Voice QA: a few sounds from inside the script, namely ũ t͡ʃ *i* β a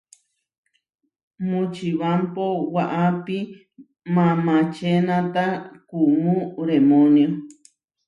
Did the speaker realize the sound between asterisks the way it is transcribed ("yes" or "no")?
yes